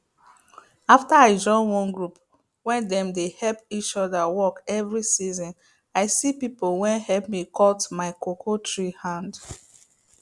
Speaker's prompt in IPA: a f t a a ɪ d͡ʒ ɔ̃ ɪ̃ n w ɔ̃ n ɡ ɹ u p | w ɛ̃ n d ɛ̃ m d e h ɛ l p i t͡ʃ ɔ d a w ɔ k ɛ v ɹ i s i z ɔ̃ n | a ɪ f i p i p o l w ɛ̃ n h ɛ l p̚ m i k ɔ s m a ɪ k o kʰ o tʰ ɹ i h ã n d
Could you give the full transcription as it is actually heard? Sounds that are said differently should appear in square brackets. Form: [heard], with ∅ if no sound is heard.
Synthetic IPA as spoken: a f t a a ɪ d͡ʒ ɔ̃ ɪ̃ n w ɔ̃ n ɡ ɹ u p | w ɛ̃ n d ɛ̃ m d e h ɛ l p i t͡ʃ ɔ d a w ɔ k ɛ v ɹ i s i z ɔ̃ n | a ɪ [s] i p i p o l w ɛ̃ n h ɛ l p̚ m i k ɔ [t] m a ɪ k o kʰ o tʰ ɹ i h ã n d